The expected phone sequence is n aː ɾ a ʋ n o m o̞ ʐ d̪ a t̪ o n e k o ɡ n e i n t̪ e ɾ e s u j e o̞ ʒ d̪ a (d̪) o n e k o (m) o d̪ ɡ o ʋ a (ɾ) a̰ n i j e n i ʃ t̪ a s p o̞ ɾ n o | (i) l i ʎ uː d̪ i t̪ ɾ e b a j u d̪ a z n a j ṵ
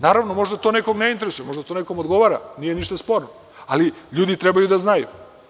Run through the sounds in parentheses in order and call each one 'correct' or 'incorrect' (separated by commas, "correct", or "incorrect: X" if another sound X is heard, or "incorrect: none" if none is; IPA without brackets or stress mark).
incorrect: t̪, correct, correct, incorrect: a